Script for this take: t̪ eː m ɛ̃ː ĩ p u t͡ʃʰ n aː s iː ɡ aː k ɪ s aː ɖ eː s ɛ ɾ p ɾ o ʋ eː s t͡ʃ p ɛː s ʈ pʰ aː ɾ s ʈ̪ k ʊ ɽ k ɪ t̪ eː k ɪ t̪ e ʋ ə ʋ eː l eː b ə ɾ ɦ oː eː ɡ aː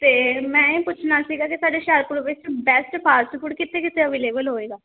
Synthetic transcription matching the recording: t̪ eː m ɛ̃ː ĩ p ʊ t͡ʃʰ n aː s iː ɡ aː k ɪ s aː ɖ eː ʃ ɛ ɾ p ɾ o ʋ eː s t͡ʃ b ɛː s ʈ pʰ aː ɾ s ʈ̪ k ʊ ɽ k ɪ t̪ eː k ɪ t̪ e ə ʋ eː l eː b ə l ɦ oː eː ɡ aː

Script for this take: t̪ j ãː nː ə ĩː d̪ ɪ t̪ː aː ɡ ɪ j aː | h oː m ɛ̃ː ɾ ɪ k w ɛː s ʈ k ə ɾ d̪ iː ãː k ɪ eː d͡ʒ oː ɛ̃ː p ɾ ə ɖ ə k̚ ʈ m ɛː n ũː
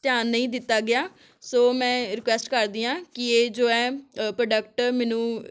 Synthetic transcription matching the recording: t̪ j aː nː ə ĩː d̪ ɪ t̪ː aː ɡ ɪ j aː | s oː m ɛ̃ː ɾ ɪ k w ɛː s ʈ k ə ɾ d̪ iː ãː k ɪ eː d͡ʒ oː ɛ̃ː p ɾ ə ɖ ə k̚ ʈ m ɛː n ũː

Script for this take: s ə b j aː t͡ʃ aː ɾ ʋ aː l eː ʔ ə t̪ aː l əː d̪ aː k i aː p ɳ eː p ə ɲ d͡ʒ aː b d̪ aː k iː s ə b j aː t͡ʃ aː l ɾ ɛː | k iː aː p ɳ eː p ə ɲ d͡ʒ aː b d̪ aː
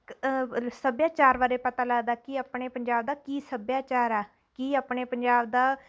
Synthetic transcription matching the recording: s ə b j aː t͡ʃ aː ɾ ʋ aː ɾ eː p ə t̪ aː l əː d̪ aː k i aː p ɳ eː p ə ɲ d͡ʒ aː b d̪ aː k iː s ə b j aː t͡ʃ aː ɾ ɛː | k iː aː p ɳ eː p ə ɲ d͡ʒ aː b d̪ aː

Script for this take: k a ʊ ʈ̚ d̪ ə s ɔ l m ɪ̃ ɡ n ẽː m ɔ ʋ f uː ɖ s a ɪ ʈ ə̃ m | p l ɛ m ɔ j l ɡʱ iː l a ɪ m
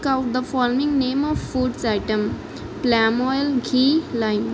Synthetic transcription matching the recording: k a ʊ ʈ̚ d̪ ə f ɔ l m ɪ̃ ŋ n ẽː m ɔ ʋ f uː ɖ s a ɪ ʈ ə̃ m | p l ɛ m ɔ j l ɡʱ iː l a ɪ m

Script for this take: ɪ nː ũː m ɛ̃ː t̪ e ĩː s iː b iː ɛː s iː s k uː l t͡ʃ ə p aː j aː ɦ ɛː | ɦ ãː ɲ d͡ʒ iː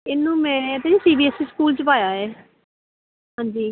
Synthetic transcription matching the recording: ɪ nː ũː m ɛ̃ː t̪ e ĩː s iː b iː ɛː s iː s k uː l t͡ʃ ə p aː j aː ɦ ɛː | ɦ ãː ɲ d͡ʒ iː

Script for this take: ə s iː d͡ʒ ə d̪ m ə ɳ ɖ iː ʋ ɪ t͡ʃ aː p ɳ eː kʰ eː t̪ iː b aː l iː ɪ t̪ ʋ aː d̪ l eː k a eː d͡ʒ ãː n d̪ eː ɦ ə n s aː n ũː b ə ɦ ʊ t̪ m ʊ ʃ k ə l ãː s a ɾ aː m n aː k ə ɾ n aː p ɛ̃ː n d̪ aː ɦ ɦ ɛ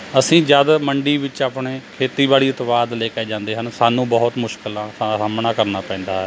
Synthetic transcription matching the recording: ə s ĩː d͡ʒ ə d̪ m ə ɳ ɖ iː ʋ ɪ t͡ʃ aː p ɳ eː kʰ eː t̪ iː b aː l iː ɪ t̪ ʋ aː d̪ l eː k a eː d͡ʒ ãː n d̪ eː ɦ ə n s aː n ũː b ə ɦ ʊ t̪ m ʊ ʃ k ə l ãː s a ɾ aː m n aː k ə ɾ n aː p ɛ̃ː n d̪ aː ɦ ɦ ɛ

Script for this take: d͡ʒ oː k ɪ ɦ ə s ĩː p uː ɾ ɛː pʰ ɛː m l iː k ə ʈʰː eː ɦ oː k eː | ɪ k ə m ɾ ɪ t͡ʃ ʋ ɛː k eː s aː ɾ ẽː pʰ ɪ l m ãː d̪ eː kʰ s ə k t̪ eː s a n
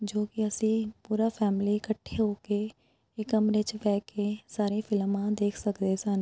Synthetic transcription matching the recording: d͡ʒ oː k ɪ ə s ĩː p uː ɾ aː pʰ ɛː m l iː k ə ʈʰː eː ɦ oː k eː | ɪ k ə m ɾ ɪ t͡ʃ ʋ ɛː k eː s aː ɾ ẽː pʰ ɪ l m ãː d̪ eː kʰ s ə k d̪ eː s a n

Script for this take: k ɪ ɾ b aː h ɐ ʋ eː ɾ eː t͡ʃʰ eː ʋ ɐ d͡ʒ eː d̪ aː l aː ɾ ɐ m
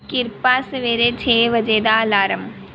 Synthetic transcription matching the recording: k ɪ ɾ p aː s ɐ ʋ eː ɾ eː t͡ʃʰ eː ʋ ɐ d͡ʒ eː d̪ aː l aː ɾ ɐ m

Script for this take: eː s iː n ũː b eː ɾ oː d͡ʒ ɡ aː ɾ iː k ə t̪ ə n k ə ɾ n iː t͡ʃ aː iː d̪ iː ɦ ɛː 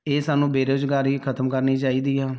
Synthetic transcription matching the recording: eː s aː n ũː b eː ɾ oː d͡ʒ ɡ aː ɾ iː kʰ ə t̪ ə m k ə ɾ n iː t͡ʃ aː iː d̪ iː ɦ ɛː

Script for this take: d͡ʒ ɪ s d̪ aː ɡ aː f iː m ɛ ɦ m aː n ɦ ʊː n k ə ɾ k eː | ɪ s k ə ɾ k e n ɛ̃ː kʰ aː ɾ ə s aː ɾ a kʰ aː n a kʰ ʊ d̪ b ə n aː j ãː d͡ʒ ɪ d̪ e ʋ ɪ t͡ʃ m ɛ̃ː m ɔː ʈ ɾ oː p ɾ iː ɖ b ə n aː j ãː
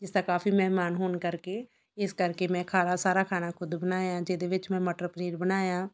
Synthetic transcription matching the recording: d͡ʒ ɪ s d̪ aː k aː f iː m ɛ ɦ m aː n ɦ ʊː n k ə ɾ k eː | ɪ s k ə ɾ k e m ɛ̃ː kʰ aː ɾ a s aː ɾ a kʰ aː n a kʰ ʊ d̪ b ə n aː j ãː d͡ʒ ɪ d̪ e ʋ ɪ t͡ʃ m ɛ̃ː m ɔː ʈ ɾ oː p ɾ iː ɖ b ə n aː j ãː

